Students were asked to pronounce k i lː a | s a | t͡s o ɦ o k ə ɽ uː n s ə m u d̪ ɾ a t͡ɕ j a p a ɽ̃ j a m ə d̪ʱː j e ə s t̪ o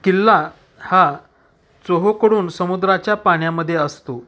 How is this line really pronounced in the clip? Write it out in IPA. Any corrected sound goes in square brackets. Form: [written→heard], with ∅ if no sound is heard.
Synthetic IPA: k i lː a | [s→h] a | t͡s o ɦ o k ə ɽ uː n s ə m u d̪ ɾ a t͡ɕ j a p a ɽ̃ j a m ə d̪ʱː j e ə s t̪ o